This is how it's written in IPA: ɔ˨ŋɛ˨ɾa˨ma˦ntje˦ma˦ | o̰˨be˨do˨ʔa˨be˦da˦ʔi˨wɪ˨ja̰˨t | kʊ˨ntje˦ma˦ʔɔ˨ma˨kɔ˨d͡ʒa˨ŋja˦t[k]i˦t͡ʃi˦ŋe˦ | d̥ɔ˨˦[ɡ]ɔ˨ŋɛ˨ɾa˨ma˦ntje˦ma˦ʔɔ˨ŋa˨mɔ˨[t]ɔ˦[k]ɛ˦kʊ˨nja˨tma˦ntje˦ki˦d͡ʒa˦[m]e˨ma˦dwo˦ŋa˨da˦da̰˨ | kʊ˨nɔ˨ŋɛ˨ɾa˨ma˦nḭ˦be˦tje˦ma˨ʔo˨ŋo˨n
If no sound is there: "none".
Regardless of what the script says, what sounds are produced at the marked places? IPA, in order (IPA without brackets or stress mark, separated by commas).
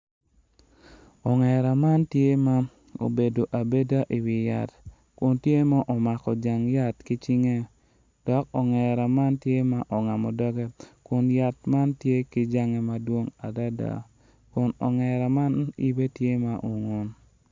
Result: k, k, d, ɡ, ŋ